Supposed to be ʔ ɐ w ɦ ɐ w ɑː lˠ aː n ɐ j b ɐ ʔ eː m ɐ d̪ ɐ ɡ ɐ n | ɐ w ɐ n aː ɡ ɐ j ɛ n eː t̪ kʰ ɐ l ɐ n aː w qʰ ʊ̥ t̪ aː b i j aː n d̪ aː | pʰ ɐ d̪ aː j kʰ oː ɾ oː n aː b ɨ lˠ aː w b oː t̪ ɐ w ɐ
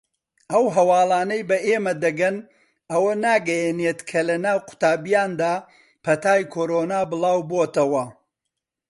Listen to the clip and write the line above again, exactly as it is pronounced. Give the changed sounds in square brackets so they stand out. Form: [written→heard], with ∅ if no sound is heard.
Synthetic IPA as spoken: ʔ ɐ w ɦ ɐ w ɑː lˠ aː n ɐ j b ɐ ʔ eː m ɐ d̪ ɐ ɡ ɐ n | ɐ w ɐ n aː ɡ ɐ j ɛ n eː t̪ kʰ ɐ l ɐ n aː w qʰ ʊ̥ t̪ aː b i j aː n d̪ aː | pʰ ɐ [d̪→t̪] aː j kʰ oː ɾ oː n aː b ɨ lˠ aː w b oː t̪ ɐ w ɐ